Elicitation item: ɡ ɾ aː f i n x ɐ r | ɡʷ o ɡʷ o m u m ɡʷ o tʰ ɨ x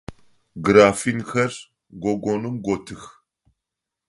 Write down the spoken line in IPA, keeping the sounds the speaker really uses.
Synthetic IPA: ɡ ɾ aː f i n x ɐ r | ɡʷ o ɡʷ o n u m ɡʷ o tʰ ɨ x

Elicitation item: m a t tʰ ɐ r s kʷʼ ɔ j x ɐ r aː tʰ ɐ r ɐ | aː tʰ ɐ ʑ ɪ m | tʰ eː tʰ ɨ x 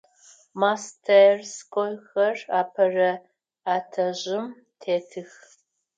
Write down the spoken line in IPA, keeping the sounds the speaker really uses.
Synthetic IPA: m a s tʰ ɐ r s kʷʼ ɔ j x ɐ r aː pʰ ɐ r ɐ | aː tʰ ɐ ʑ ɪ m | tʰ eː tʰ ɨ x

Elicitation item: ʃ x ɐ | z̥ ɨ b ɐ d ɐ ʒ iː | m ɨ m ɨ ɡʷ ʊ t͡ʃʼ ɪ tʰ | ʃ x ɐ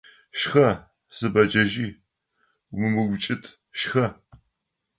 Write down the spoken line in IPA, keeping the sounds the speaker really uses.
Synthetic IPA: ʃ x ɐ | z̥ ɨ b ɐ d͡ʒ ɐ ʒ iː | m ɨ m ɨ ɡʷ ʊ t͡ʃʼ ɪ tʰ | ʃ x ɐ

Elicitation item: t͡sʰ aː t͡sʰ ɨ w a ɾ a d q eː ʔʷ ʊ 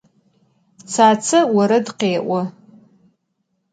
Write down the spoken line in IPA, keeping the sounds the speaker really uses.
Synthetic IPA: t͡sʰ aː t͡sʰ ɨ w a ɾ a d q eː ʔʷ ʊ

